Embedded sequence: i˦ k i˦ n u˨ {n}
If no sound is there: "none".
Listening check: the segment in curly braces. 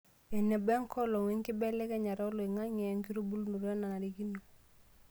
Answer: none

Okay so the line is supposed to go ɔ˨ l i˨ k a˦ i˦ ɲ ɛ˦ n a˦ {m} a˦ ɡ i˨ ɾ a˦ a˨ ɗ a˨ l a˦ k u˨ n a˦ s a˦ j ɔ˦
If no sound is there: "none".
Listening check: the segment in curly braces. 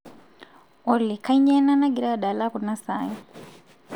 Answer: n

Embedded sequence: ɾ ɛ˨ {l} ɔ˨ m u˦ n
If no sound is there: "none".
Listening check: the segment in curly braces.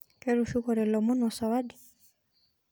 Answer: l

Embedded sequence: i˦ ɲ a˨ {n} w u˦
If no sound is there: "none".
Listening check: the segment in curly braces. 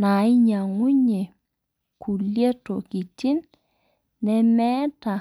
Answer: ŋ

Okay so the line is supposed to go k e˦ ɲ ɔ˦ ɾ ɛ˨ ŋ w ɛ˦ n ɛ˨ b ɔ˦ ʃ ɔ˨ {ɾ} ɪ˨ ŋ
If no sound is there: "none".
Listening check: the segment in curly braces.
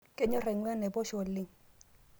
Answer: l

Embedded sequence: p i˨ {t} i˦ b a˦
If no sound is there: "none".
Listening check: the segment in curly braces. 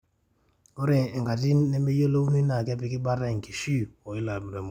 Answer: k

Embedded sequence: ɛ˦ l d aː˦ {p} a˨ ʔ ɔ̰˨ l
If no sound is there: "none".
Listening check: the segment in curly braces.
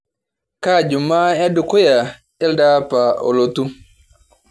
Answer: p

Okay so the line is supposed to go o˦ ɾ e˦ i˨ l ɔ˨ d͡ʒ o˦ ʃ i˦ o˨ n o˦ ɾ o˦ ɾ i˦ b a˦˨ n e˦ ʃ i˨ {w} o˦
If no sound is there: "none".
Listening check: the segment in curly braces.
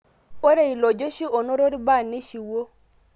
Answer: w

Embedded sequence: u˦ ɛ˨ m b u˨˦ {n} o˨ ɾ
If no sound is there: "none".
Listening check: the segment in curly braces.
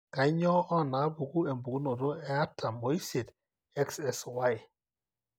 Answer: n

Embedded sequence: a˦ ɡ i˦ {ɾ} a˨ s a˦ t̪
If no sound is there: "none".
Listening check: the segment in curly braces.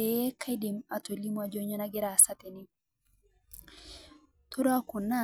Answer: ɾ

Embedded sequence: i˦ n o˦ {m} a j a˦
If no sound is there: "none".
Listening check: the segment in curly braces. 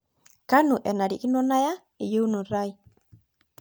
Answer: n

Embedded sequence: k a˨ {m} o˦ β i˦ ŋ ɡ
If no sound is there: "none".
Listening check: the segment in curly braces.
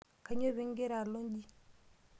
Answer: ɲ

